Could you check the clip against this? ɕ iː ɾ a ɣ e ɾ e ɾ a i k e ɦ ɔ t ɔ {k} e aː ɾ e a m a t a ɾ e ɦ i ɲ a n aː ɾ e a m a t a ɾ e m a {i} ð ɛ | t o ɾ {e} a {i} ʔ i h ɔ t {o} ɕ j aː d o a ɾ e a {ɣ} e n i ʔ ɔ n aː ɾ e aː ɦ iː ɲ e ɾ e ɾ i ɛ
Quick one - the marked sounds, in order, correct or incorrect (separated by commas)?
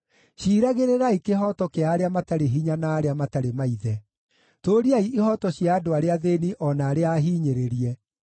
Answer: correct, correct, incorrect, correct, incorrect, incorrect